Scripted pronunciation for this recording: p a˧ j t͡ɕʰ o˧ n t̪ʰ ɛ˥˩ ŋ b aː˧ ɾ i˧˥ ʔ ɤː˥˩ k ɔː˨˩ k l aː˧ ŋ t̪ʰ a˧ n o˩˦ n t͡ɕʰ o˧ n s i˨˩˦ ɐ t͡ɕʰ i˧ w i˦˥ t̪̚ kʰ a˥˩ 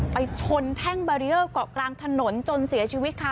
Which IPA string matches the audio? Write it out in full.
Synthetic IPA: p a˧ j t͡ɕʰ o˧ n t̪ʰ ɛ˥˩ ŋ b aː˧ ɾ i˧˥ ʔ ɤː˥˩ k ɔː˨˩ k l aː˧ ŋ t̪ʰ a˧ n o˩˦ n t͡ɕ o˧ n s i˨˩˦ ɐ t͡ɕʰ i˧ w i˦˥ t̪̚ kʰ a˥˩